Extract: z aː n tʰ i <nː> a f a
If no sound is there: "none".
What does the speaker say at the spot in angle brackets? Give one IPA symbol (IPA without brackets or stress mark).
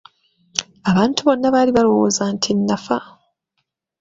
nː